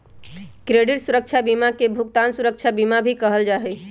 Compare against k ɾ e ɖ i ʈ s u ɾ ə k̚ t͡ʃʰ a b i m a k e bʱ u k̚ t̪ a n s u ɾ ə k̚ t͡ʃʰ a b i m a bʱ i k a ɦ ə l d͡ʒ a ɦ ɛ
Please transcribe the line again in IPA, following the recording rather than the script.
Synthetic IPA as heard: k ɾ e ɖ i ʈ s u ɾ ə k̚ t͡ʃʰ a b i m a k e bʱ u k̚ t̪ a n s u ɾ ə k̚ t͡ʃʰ a b i m a bʱ i k ə ɦ ə l d͡ʒ a ɦ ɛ